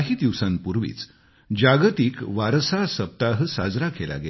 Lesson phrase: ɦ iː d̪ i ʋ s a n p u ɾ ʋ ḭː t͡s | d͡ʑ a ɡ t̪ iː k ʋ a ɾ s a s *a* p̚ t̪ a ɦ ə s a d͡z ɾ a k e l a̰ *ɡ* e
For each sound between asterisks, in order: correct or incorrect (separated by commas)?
incorrect, correct